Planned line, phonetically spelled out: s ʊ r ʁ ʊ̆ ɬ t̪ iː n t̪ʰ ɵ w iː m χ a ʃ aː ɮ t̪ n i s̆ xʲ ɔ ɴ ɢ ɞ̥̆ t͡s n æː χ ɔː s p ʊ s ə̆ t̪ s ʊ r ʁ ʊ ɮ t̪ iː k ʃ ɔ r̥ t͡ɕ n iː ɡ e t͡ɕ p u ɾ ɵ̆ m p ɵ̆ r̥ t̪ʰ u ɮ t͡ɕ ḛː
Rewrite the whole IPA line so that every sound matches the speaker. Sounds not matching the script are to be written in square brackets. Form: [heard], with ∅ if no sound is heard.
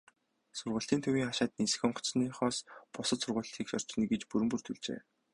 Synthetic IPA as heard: s ʊ r ʁ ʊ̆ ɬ t̪ iː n t̪ʰ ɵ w iː [ŋ] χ a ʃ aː [∅] t̪ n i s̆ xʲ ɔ ɴ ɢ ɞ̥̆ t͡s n [iː] χ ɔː s p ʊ s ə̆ t̪ s ʊ r ʁ ʊ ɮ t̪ iː k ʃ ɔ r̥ t͡ɕ n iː ɡ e t͡ɕ p u ɾ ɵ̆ m p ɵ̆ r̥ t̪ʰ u ɮ t͡ɕ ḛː